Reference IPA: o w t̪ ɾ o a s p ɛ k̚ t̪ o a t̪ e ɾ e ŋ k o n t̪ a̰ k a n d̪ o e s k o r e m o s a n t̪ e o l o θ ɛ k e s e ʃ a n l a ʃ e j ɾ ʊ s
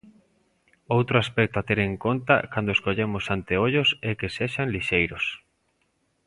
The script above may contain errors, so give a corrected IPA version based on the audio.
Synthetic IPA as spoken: o w t̪ ɾ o a s p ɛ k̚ t̪ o a t̪ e ɾ e ŋ k o n t̪ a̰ k a n d̪ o e s k o ʎ e m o s a n t̪ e o ʎ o s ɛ k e s e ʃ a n l i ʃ e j ɾ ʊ s